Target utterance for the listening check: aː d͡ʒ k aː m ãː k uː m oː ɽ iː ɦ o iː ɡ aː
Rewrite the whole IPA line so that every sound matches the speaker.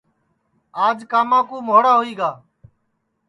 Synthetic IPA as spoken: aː d͡ʒ k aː m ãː k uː m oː ɽ aː ɦ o iː ɡ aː